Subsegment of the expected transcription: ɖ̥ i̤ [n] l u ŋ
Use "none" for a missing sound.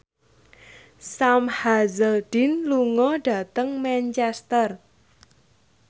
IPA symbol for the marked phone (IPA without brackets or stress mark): n